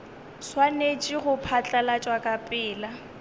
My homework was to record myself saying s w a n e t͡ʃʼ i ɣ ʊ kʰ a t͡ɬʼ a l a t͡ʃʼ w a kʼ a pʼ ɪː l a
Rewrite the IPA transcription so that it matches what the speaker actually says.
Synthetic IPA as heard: s w a n e t͡ʃʼ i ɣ ʊ pʰ a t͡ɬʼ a l a t͡ʃʼ w a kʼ a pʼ ɪː l a